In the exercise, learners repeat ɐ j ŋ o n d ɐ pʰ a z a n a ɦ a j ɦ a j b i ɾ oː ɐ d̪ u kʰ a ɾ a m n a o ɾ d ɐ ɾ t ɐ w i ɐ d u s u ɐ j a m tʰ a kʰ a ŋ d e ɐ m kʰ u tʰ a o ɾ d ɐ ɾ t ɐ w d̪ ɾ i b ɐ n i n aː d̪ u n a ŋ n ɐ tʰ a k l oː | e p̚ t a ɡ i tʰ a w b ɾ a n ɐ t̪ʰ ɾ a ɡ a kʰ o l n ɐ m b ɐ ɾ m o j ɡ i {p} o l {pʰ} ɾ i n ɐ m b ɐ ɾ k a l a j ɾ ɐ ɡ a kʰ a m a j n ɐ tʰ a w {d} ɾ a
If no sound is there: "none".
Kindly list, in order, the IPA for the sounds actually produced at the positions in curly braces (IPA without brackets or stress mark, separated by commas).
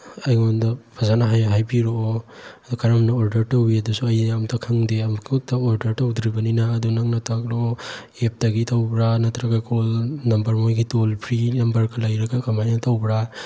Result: t, pʰ, b